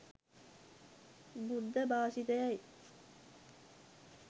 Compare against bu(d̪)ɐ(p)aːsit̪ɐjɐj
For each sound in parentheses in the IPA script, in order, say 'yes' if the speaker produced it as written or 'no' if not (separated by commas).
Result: no, no